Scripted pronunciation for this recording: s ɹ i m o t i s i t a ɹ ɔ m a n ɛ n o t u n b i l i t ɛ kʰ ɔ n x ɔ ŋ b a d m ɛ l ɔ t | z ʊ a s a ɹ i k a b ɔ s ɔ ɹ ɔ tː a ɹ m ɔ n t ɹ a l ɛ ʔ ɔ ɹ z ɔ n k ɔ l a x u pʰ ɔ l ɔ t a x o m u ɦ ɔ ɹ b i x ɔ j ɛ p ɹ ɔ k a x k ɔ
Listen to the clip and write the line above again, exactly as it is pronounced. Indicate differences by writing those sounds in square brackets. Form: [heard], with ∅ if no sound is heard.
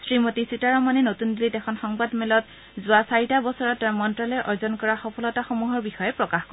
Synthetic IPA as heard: s ɹ i m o t i s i t a ɹ ɔ m a n ɛ n o t u n [d] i l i t ɛ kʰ ɔ n x ɔ ŋ b a d m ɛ l ɔ t | z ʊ a s a ɹ i [t] a b ɔ s ɔ ɹ ɔ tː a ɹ m ɔ n t ɹ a l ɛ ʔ ɔ ɹ z ɔ n k ɔ [ɹ] a x [ɔ] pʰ ɔ l ɔ t a x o m u ɦ ɔ ɹ b i x ɔ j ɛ p ɹ ɔ k a x k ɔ